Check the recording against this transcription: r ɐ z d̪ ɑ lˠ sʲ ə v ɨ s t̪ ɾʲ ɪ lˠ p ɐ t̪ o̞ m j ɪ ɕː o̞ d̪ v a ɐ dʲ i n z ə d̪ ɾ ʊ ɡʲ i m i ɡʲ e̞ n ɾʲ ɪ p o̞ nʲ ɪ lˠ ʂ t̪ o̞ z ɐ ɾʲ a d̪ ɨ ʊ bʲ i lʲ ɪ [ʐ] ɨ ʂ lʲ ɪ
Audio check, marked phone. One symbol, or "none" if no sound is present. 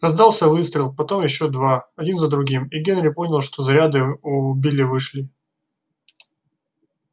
v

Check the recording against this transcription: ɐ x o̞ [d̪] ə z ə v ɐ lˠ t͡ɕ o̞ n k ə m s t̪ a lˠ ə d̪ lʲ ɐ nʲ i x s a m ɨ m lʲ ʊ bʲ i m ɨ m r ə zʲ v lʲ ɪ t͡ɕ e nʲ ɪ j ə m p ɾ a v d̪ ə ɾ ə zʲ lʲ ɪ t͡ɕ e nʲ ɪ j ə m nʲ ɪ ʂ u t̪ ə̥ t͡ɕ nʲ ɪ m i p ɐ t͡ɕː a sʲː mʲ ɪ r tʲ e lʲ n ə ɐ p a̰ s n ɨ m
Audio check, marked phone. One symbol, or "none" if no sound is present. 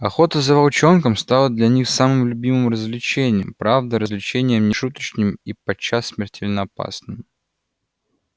t̪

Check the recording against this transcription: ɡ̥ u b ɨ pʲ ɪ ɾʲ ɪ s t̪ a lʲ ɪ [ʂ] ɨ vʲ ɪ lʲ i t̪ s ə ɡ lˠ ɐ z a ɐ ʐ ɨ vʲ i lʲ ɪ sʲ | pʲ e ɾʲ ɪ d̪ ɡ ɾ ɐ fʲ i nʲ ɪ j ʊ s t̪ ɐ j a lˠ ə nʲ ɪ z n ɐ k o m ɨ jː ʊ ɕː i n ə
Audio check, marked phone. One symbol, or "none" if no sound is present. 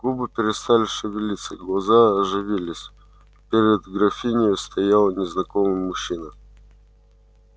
ʂ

